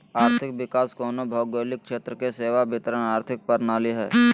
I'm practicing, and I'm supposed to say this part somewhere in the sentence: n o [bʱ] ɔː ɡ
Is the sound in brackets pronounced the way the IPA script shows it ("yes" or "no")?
yes